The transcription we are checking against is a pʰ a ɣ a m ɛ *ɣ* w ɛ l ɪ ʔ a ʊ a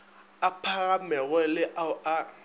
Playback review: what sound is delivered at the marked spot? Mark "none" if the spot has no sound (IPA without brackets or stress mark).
ɣ